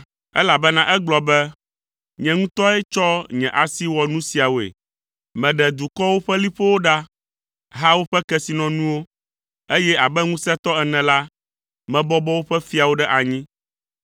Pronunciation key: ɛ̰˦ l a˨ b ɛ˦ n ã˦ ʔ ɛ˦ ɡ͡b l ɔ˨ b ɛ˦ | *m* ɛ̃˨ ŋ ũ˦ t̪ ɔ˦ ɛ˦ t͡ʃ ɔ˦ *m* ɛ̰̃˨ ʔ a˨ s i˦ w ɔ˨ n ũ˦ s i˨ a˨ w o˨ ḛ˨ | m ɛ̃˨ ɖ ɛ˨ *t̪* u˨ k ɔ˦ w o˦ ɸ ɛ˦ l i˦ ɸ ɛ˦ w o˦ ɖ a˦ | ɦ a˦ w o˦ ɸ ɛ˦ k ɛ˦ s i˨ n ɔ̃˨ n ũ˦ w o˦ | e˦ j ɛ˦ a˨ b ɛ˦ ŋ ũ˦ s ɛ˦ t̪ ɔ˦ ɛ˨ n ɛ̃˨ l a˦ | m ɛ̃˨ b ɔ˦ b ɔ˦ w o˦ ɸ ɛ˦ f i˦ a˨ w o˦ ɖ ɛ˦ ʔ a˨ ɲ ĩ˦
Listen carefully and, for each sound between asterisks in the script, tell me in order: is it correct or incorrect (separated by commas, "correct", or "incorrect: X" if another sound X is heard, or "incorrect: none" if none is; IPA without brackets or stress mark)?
incorrect: ɲ, incorrect: ɲ, incorrect: d̪